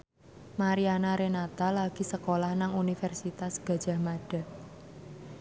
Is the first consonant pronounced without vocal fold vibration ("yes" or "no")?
no